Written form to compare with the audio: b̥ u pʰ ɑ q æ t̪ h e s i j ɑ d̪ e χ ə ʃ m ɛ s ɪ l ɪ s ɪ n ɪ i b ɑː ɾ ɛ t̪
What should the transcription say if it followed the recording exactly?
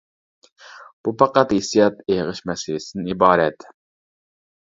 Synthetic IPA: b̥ u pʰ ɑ q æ t̪ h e s i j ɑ t̪ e ʁ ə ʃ m ɛ s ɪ l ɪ s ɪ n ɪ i b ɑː ɾ ɛ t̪